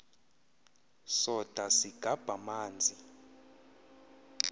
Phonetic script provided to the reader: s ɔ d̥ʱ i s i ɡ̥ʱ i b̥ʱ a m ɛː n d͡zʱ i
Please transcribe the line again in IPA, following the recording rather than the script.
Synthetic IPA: s ɔ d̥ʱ a s i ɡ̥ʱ a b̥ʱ a m aː n d͡zʱ i